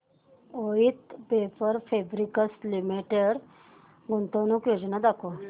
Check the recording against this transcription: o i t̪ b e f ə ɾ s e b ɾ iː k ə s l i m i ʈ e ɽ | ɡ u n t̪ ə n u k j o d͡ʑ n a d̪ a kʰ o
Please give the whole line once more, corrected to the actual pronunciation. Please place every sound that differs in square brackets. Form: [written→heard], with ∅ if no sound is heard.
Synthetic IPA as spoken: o i t̪ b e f ə ɾ [s→f] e b ɾ [iː→i] k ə s l i m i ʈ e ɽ | ɡ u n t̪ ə n u k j o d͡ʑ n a d̪ a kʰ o